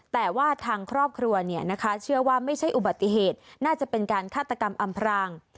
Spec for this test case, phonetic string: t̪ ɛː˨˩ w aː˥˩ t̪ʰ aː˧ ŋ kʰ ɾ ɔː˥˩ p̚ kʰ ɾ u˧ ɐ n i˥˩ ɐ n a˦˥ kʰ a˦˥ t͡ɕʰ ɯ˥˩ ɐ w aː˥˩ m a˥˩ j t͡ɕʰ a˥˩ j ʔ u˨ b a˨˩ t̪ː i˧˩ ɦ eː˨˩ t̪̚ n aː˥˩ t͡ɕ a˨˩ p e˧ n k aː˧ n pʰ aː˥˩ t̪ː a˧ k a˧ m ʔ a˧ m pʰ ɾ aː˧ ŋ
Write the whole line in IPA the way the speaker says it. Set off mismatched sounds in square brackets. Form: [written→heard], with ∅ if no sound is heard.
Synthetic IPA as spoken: t̪ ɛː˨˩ w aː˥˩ t̪ʰ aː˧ ŋ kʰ ɾ ɔː˥˩ p̚ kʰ ɾ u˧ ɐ n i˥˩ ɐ n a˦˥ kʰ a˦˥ t͡ɕʰ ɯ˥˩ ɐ w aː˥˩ m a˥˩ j t͡ɕʰ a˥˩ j ʔ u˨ b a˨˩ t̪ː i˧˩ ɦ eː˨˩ t̪̚ n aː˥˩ t͡ɕ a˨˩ p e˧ n k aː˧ n [pʰ→kʰ] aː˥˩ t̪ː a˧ k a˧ m ʔ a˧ m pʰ ɾ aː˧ ŋ